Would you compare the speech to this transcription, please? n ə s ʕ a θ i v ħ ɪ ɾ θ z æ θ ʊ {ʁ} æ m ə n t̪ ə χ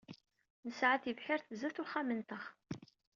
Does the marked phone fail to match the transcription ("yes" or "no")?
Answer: yes